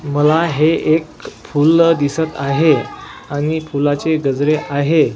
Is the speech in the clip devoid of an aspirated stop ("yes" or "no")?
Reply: yes